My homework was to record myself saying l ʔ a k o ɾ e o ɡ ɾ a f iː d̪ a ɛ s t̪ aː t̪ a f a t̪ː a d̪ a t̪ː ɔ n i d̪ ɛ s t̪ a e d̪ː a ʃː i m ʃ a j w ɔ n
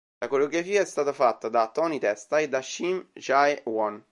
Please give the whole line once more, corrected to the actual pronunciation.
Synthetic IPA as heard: l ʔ a k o ɾ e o ɡ ɾ a f iː a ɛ s t̪ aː t̪ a f a t̪ː a d̪ a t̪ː ɔ n i t̪ ɛ s t̪ a e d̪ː a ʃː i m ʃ a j w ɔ n